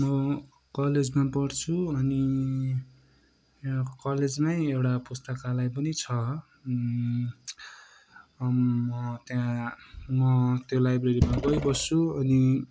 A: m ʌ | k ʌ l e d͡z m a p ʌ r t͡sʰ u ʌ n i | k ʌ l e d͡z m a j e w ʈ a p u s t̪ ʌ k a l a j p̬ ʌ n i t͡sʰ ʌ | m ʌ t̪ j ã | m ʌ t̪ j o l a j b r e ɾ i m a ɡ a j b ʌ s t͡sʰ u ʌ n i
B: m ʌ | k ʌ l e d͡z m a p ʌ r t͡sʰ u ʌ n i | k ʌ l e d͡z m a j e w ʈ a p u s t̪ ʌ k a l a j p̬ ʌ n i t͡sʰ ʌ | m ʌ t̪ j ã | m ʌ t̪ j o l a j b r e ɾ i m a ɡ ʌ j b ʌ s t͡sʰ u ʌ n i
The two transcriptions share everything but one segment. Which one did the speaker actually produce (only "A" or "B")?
B